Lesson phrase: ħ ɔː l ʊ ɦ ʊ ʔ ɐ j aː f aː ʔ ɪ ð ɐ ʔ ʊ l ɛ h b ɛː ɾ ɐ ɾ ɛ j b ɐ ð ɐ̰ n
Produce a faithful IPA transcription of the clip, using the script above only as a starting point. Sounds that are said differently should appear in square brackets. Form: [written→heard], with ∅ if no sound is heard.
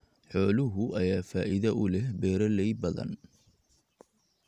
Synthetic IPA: ħ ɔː l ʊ ɦ ʊ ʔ ɐ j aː f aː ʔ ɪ ð ɐ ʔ ʊ l ɛ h b ɛː ɾ ɐ [ɾ→l] ɛ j b ɐ ð ɐ̰ n